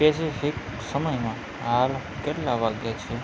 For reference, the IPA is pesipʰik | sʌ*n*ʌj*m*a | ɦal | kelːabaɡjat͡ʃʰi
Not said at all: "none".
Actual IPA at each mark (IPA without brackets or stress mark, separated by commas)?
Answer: m, m